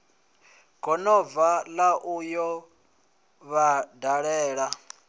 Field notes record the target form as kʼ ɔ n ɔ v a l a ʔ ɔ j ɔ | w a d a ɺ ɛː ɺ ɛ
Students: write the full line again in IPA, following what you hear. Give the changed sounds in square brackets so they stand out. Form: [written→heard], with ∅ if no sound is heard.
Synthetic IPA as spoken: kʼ ɔ n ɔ v a l a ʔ [ɔ→u] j ɔ | [w→β] a d a ɺ ɛː ɺ [ɛ→a]